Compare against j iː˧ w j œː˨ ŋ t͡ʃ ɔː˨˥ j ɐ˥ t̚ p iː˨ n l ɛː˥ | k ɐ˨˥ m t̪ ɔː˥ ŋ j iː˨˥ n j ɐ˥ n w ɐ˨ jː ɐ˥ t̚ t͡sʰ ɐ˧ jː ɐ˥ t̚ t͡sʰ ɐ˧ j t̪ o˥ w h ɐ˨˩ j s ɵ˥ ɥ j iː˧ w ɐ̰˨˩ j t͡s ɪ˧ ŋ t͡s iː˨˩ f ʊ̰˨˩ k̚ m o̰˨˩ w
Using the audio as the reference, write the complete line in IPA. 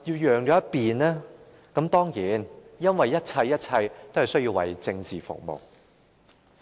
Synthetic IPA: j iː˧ w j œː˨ ŋ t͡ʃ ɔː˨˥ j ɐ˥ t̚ p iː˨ n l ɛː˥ | k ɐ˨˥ m t̪ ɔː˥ ŋ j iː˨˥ n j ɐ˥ n w ɐ˨ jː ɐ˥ t̚ t͡sʰ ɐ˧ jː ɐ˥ t̚ t͡sʰ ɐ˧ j t̪ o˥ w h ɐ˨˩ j s ɵ˥ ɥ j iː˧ w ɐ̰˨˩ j t͡s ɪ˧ ŋ t͡s iː˨˩ f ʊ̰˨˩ k̚ m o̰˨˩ w